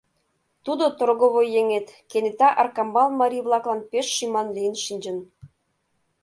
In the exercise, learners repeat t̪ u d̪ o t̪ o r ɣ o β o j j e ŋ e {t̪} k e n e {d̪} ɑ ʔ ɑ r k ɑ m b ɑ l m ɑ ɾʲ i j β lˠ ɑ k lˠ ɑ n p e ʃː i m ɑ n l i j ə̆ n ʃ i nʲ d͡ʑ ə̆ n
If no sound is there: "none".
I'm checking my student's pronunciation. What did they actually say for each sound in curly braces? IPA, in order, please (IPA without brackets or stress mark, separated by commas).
t̪, t̪